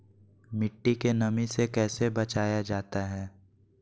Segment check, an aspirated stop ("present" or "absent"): absent